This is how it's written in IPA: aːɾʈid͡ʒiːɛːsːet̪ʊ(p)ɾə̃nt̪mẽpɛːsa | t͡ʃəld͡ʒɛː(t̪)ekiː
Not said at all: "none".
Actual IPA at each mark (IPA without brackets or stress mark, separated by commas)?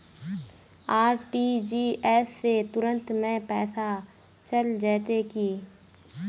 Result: none, t̪